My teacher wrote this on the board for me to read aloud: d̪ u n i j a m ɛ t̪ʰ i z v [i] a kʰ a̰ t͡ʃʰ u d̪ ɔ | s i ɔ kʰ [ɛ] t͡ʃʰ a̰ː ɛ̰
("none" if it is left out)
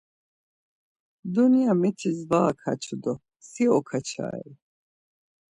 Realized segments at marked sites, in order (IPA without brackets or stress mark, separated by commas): a, a